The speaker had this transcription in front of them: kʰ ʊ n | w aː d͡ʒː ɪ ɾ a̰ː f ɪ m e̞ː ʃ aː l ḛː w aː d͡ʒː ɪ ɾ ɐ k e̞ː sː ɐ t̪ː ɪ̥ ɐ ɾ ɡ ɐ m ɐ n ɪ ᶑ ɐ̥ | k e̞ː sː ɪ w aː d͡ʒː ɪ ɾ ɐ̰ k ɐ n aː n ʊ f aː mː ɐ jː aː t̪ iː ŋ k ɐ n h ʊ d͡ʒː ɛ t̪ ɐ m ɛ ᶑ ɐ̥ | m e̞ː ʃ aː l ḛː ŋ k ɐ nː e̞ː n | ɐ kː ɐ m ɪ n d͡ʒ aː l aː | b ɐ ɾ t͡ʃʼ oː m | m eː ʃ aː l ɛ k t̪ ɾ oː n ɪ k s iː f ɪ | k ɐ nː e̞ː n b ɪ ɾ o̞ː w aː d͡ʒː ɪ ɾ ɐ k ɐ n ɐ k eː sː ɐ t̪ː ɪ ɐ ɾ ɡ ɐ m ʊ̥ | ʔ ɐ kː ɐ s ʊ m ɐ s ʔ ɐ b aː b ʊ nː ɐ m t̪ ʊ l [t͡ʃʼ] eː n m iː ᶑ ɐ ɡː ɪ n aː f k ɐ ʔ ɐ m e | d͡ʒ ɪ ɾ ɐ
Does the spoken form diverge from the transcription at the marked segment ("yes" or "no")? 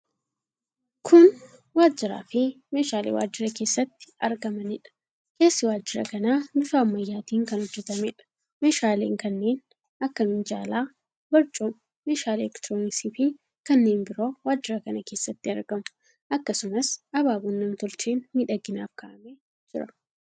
yes